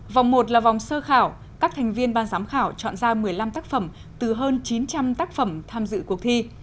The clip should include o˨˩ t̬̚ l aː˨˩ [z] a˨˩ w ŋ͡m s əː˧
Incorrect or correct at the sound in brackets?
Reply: incorrect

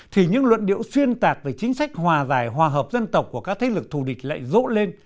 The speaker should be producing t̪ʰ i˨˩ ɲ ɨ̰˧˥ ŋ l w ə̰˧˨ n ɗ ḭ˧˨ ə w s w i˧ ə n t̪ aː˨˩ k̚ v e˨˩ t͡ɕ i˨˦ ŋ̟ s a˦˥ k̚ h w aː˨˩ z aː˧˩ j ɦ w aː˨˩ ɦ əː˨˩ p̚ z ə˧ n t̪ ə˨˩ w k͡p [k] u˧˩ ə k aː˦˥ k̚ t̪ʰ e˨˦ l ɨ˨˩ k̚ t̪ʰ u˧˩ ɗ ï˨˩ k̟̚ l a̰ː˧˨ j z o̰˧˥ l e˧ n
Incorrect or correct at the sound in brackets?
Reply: correct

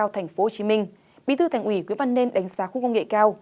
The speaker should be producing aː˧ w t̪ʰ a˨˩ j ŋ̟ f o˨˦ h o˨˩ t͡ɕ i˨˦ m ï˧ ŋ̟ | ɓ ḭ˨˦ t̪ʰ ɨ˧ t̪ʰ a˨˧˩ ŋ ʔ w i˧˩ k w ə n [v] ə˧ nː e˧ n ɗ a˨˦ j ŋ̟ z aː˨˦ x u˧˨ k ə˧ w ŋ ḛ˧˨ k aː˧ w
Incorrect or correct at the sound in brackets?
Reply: correct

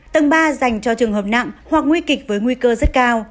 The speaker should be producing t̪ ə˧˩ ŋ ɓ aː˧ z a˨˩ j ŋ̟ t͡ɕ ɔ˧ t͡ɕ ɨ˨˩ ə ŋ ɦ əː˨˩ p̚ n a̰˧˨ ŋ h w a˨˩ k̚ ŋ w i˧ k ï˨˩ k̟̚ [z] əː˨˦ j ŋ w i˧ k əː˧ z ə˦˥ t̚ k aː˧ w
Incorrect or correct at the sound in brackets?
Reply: incorrect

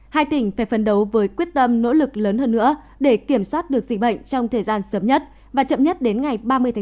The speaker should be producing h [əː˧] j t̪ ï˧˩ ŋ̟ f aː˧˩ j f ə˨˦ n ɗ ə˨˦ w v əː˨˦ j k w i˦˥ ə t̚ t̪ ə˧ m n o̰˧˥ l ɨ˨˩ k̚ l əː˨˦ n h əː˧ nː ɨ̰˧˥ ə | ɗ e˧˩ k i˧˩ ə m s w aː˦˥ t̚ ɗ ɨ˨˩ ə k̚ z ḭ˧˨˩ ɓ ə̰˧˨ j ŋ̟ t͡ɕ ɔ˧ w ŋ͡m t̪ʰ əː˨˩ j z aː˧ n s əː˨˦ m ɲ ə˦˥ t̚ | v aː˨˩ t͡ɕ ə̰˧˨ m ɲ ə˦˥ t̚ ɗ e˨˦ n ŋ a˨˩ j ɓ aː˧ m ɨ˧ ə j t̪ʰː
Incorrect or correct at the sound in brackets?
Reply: incorrect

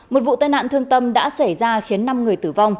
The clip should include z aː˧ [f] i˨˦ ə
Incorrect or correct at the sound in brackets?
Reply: incorrect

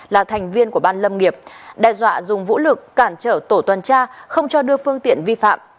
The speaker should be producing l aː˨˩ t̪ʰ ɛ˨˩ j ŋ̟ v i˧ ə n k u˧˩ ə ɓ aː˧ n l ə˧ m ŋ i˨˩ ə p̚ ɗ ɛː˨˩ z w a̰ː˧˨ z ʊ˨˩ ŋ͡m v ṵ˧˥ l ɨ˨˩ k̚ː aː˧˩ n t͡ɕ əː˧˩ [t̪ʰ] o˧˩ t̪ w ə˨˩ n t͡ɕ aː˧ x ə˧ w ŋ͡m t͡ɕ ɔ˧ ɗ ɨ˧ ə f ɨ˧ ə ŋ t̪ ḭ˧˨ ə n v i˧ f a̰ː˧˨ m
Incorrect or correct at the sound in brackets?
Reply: incorrect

